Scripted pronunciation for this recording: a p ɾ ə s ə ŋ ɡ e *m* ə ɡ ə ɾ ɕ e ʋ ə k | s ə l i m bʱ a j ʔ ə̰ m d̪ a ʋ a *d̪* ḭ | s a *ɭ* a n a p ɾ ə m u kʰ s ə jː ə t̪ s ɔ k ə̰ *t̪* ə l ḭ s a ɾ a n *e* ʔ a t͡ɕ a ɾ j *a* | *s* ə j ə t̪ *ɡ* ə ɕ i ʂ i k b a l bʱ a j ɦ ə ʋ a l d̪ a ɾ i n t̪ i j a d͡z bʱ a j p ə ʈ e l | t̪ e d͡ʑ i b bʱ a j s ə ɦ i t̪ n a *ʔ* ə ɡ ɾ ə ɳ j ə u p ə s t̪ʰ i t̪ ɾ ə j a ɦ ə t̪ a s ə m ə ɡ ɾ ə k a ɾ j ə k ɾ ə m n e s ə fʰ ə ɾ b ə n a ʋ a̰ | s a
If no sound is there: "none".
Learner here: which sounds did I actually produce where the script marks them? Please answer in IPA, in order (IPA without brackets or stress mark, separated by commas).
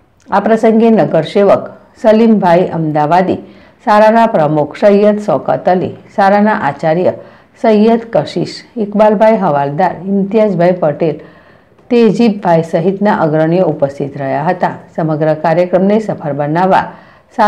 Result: n, d̪, ɾ, t̪, a, ə, s, k, ʔ